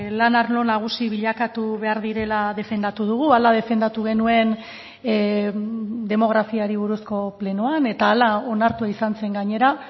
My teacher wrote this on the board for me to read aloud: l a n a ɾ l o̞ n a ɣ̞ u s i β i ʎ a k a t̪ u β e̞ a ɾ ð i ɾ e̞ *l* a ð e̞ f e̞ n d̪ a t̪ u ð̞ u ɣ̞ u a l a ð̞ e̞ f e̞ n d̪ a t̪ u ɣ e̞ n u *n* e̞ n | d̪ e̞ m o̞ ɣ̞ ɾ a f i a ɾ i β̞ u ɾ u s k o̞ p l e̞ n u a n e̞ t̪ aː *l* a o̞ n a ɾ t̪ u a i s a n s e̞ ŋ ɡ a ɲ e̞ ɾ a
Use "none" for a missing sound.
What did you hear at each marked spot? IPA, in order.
l, none, l

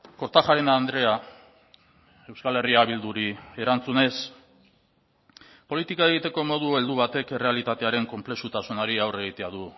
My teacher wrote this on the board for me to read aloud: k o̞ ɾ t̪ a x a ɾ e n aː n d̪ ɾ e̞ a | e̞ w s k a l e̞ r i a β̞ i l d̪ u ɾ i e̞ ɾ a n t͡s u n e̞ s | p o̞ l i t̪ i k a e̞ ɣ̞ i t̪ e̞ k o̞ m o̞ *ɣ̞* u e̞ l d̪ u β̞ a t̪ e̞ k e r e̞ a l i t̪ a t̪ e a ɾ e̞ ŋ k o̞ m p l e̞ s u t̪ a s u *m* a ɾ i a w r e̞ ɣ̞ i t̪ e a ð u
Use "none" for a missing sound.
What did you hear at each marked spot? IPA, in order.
ð̞, n

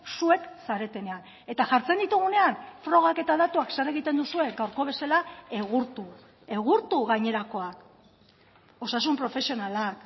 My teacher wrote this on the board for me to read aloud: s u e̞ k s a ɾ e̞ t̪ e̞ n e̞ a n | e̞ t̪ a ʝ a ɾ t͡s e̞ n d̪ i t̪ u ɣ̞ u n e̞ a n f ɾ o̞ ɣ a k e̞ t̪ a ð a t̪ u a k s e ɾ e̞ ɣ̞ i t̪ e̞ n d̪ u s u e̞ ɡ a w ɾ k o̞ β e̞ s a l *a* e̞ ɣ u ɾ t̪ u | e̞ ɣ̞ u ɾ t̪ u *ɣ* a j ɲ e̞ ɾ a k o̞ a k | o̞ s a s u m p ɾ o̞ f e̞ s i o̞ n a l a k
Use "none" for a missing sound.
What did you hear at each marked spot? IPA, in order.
a, ɣ

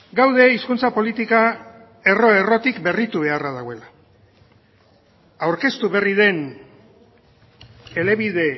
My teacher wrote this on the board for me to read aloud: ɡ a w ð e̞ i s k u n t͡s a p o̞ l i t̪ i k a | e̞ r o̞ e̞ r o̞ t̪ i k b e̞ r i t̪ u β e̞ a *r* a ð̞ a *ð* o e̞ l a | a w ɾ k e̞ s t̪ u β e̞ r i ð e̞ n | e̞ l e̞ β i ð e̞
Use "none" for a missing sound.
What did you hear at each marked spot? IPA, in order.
r, ɣ

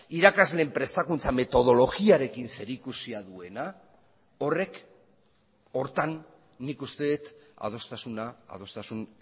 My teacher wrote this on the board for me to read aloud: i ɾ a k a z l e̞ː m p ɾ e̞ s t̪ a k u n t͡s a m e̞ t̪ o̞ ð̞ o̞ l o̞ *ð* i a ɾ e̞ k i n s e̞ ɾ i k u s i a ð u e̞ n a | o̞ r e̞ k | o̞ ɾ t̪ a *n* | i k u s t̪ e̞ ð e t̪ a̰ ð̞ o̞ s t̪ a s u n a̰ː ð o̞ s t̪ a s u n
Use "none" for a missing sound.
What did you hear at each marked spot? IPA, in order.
ɣ, nː

